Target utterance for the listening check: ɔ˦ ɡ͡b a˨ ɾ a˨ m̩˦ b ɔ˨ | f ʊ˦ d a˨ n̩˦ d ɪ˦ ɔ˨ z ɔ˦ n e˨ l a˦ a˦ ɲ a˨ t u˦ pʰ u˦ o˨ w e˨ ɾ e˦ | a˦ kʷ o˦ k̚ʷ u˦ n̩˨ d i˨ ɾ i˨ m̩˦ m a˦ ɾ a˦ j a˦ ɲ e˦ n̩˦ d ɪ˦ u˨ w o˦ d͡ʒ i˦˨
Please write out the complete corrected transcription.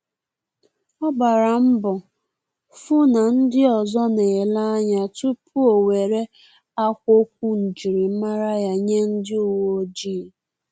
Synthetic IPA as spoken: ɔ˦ ɡ͡b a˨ ɾ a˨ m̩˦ b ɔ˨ | f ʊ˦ n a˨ n̩˦ d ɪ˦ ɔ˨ z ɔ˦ n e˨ l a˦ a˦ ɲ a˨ t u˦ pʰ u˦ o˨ w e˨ ɾ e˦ | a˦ kʷ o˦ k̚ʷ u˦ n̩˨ d͡ʒ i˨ ɾ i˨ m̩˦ m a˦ ɾ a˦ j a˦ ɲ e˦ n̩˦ d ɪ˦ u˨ w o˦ d͡ʒ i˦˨

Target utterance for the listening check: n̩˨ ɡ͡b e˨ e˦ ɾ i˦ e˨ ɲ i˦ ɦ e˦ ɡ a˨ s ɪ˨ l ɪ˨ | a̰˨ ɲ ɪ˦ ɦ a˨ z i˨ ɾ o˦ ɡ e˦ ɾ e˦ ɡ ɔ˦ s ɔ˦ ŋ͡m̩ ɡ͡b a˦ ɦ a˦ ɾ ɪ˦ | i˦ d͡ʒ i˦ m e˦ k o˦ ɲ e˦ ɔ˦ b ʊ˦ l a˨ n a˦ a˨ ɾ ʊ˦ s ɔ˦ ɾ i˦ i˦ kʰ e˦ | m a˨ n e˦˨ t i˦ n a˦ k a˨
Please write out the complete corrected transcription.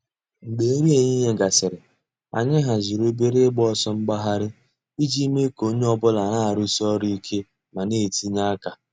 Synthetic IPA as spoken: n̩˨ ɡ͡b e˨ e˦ ɾ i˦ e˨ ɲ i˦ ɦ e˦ ɡ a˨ s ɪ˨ ɾ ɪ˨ | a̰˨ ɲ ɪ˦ ɦ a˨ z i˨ ɾ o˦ b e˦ ɾ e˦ ɡ͡b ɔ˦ s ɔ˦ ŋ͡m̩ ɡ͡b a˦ ɦ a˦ ɾ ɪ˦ | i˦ d͡ʒ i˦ m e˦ k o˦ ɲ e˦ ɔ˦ b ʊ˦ l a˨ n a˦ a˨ ɾ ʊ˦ s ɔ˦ ɾ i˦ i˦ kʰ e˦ | m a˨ n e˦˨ t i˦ ɲ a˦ k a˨

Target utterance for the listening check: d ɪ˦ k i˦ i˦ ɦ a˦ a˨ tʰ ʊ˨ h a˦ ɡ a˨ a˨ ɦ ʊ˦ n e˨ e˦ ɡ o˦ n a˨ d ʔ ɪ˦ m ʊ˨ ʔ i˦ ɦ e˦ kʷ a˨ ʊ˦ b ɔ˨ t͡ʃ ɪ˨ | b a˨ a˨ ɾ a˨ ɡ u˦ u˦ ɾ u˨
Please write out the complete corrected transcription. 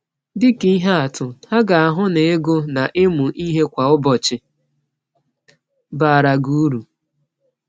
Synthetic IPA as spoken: d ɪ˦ k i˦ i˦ ɦ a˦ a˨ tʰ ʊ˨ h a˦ ɡ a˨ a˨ ɦ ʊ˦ n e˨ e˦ ɡ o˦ n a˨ ʔ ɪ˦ m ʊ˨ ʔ i˦ ɦ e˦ kʷ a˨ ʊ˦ b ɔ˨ t͡ʃ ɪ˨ | b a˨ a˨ ɾ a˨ ɡ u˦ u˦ ɾ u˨

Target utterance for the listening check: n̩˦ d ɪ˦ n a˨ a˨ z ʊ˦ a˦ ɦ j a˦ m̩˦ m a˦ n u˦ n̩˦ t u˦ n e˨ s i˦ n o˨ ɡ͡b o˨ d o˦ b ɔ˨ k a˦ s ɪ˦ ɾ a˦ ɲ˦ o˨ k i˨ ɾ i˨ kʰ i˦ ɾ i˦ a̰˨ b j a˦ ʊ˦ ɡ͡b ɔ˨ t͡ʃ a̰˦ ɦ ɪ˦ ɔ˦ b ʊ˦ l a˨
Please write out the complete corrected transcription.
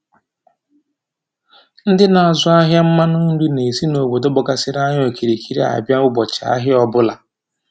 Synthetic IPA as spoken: n̩˦ d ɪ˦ n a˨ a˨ z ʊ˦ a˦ ɦ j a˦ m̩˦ m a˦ n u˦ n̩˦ d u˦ n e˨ s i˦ n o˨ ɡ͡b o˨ d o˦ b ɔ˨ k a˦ s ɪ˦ ɾ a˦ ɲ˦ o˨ k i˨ ɾ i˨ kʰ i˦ ɾ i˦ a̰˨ b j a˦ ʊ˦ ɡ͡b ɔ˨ t͡ʃ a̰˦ ɦ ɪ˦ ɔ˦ b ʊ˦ l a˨

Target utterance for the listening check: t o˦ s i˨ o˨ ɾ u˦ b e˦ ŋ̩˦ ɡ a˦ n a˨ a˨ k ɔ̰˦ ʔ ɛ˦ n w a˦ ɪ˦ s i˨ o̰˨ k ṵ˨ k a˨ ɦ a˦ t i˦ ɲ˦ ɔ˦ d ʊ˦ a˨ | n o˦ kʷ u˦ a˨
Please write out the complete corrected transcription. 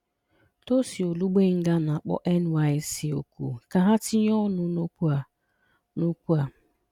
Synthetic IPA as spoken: t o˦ s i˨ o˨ l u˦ ɡ͡b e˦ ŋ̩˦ ɡ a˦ n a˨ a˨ k͡p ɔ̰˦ ʔ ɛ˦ n w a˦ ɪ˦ s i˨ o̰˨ k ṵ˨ k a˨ ɦ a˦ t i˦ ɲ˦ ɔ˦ n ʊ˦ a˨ | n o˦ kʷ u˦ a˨

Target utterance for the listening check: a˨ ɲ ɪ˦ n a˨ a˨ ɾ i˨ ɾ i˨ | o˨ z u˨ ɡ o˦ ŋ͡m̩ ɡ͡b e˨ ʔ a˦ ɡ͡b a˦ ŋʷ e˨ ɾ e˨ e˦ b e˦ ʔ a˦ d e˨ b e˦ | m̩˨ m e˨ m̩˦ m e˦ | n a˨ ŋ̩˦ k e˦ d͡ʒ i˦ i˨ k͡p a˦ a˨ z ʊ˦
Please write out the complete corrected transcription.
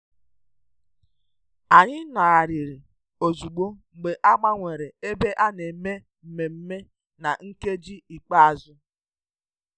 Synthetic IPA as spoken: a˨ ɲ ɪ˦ n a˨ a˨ ɾ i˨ ɾ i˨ | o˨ z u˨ ɡ͡b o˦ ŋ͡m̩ ɡ͡b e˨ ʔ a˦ ɡ͡b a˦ ŋʷ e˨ ɾ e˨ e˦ b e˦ ʔ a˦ n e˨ m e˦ | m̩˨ m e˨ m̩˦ m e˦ | n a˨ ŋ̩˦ k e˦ d͡ʒ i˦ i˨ k͡p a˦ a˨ z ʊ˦

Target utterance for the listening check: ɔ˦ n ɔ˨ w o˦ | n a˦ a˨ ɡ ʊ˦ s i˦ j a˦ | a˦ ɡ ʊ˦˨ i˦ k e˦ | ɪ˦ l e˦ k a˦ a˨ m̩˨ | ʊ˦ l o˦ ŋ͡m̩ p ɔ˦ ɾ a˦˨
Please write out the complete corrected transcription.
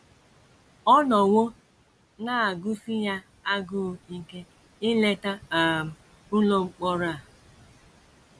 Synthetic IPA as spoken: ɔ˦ n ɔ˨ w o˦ | n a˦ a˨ ɡ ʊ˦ s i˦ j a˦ | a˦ ɡ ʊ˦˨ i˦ k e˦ | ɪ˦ l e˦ t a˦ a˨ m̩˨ | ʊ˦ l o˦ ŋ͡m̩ k͡p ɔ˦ ɾ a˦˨

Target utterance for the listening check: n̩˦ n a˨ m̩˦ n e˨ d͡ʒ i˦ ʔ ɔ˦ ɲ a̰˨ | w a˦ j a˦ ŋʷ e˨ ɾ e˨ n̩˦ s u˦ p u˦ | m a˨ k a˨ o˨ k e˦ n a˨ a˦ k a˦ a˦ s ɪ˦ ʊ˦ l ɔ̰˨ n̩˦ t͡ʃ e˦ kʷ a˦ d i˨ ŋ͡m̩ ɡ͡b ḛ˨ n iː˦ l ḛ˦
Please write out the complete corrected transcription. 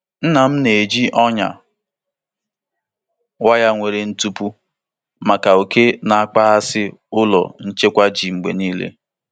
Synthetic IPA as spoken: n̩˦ n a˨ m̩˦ n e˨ d͡ʒ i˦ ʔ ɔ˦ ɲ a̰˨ | w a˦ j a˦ ŋʷ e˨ ɾ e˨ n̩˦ t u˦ p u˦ | m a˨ k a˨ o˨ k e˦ n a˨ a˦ k͡p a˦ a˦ s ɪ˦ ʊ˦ l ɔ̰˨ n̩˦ t͡ʃ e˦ kʷ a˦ d͡ʒ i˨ ŋ͡m̩ ɡ͡b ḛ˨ n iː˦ l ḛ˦

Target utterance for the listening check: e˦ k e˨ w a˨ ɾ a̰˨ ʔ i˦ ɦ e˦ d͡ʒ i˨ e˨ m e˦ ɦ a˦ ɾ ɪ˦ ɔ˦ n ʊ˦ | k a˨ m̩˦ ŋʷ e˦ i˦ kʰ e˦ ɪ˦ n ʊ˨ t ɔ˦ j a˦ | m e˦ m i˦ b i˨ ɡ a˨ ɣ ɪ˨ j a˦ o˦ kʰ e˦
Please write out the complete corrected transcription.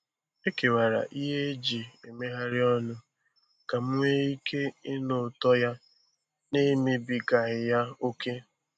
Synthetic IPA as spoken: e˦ k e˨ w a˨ ɾ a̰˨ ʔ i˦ ɦ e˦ d͡ʒ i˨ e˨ m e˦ ɦ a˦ ɾ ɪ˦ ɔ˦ n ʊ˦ | k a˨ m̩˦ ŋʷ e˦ i˦ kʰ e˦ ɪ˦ n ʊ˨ t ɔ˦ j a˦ | n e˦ m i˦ b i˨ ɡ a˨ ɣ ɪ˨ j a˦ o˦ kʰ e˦

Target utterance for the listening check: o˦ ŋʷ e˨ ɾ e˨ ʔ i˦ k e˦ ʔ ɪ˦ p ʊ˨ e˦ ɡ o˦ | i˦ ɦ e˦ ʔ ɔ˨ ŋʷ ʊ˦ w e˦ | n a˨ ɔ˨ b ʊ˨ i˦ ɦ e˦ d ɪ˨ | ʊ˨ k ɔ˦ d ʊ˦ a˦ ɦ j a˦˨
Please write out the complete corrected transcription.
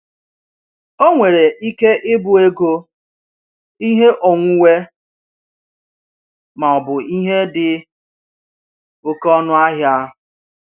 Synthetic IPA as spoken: o˦ ŋʷ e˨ ɾ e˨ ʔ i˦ k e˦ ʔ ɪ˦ b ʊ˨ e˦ ɡ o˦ | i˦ ɦ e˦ ʔ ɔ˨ ŋʷ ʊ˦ w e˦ | m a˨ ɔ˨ b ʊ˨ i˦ ɦ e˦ d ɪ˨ | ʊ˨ k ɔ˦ n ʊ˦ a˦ ɦ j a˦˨

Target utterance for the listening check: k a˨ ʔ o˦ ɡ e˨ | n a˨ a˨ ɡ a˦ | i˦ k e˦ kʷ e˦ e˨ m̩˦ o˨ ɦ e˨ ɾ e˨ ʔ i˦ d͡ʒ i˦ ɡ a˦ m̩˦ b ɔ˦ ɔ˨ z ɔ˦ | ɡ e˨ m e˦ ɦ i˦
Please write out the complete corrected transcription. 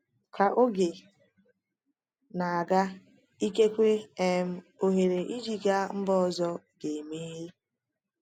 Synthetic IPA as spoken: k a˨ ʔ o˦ ɡ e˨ | n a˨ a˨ ɡ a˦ | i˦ k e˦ kʷ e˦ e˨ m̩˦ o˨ ɦ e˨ ɾ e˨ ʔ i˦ d͡ʒ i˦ ɡ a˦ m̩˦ b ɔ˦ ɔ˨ z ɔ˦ | ɡ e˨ m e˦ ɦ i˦

